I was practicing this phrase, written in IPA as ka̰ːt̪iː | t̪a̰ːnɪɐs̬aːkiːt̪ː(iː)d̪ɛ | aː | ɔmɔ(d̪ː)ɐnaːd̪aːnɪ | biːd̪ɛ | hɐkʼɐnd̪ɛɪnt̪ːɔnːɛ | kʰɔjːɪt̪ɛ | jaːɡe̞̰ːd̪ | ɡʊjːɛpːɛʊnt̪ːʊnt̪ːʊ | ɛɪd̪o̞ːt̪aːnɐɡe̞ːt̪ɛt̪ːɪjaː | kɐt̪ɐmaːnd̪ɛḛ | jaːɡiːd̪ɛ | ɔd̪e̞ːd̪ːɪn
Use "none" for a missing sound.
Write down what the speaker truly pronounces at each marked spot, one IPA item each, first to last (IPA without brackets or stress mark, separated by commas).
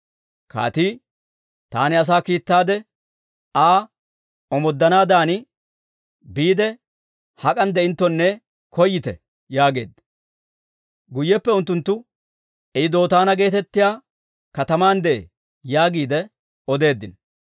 aː, d̪ː